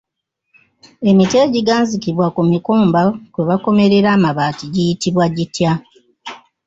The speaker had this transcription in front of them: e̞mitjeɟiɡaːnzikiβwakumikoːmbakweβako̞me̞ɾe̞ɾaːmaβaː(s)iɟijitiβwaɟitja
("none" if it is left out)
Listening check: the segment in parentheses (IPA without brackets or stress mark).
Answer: t